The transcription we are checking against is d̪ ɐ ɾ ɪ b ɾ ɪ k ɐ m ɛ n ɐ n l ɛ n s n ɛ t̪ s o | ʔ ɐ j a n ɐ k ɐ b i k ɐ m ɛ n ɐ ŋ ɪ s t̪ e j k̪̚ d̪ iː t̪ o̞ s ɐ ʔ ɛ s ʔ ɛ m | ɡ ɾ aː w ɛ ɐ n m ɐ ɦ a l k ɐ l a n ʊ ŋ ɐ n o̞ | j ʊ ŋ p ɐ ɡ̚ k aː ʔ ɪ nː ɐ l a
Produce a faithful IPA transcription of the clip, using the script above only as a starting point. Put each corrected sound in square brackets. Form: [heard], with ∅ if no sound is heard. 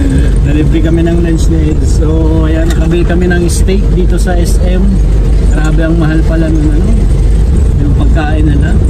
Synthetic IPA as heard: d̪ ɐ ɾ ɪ b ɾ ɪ k ɐ m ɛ n ɐ [ŋ] l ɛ n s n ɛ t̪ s o | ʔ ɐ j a n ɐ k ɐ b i k ɐ m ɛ n ɐ ŋ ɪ s t̪ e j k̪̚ d̪ iː t̪ o̞ s ɐ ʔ ɛ s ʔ ɛ m | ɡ ɾ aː [b] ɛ ɐ [ŋ] m ɐ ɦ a l [p] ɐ l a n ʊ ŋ ɐ n o̞ | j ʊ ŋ p ɐ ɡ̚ k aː ʔ ɪ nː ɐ l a